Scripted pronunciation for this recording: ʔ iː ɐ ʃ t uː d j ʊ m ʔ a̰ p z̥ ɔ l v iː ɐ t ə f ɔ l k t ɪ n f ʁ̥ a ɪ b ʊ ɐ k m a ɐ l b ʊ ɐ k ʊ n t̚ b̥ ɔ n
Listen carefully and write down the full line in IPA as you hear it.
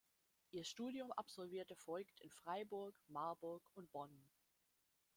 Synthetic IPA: ʔ iː ɐ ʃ t uː d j ʊ m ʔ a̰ p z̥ ɔ l v iː ɐ t ə f ɔ l k t ɪ n f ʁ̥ a ɪ b ʊ ɐ k m a ɐ b ʊ ɐ k ʊ n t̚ b̥ ɔ n